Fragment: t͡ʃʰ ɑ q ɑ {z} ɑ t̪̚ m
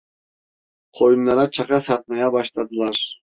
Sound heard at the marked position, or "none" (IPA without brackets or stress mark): s